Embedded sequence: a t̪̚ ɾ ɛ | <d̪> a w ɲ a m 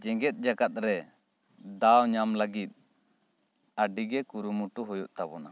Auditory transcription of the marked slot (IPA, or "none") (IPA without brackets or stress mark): d̪